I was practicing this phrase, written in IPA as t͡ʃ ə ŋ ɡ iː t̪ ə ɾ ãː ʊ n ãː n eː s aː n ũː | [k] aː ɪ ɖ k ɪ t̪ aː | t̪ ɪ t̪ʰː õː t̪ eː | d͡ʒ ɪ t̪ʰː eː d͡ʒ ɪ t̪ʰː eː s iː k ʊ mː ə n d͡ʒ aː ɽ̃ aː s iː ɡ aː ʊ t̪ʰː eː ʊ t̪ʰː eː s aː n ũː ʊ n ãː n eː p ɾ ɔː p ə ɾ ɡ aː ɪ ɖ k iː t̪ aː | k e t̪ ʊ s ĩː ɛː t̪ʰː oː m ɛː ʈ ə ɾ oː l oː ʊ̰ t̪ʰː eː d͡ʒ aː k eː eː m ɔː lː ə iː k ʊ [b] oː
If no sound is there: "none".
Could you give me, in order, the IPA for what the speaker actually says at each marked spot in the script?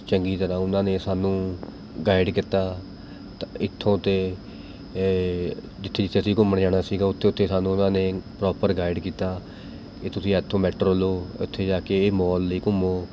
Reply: ɡ, m

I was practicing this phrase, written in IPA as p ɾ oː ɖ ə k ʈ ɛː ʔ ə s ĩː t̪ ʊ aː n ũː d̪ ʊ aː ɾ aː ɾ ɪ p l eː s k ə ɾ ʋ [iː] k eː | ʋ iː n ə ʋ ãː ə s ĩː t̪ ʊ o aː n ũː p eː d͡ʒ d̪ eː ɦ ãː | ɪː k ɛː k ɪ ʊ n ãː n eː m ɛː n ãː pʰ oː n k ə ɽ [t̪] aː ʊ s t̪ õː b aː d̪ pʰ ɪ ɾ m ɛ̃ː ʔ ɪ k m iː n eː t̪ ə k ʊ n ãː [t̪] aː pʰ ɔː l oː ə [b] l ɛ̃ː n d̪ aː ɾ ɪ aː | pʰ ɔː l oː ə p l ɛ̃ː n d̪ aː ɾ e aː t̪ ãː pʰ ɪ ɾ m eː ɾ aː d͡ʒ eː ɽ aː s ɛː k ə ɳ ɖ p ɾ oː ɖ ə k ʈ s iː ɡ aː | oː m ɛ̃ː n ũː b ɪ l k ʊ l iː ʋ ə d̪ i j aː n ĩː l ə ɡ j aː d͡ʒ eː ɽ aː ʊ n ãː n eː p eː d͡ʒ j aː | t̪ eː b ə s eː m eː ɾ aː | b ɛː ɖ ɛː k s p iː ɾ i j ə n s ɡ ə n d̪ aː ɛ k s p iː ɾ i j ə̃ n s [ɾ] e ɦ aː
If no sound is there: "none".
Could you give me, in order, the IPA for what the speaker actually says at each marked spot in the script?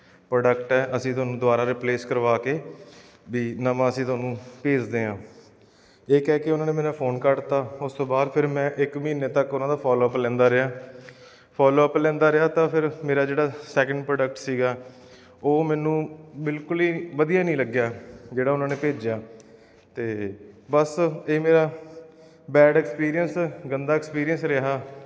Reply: aː, t̪, d̪, p, ɾ

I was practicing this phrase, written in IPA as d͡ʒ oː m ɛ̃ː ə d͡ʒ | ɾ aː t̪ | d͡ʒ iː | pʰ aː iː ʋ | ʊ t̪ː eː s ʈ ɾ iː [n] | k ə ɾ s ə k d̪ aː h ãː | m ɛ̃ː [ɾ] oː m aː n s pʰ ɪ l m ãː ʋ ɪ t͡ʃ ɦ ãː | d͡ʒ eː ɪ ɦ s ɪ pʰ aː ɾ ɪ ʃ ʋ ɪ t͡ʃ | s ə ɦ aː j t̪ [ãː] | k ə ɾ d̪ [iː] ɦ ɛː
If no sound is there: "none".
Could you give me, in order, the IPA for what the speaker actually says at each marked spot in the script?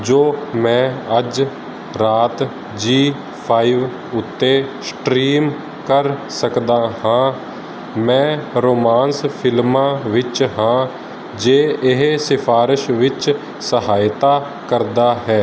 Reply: m, ɾ, aː, aː

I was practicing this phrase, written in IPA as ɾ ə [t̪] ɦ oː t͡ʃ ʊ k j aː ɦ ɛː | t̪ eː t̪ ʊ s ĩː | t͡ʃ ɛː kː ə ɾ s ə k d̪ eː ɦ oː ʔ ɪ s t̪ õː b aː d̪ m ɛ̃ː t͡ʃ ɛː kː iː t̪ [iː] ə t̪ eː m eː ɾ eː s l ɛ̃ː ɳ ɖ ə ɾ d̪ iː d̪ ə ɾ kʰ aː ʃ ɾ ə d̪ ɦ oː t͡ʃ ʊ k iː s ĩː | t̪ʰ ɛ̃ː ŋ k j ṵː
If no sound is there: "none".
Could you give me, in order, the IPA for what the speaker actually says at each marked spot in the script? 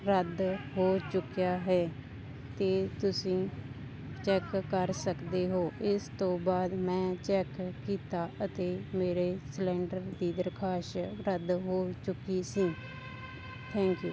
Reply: d̪, aː

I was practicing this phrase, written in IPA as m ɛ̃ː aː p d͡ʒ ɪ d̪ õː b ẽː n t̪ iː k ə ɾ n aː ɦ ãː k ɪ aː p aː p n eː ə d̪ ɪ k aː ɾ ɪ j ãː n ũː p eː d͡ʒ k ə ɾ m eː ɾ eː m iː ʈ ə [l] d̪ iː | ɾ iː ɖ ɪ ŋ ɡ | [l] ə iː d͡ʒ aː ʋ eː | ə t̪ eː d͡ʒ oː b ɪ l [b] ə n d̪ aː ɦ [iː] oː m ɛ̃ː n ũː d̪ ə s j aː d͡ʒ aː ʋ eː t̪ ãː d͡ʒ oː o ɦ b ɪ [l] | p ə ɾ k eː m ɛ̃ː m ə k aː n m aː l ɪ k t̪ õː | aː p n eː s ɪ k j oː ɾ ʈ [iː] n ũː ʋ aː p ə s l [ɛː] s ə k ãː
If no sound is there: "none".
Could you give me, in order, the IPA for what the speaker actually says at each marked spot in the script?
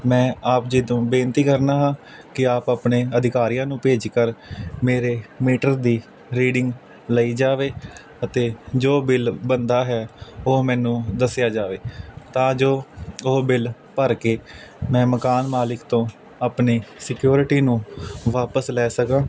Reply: ɾ, l, b, ɛː, l, iː, ɛː

